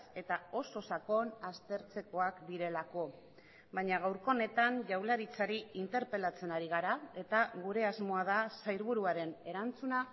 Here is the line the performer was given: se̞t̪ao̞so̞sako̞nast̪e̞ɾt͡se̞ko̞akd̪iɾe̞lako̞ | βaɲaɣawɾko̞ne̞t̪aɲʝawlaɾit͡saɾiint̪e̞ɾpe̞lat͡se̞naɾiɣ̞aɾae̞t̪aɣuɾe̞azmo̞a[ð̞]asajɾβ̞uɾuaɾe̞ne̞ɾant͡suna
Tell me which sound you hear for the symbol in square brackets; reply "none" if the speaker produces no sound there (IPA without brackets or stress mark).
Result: ð̞